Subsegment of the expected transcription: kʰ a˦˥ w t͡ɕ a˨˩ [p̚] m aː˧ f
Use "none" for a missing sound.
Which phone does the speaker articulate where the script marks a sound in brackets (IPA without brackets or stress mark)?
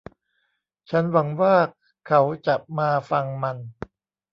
p̚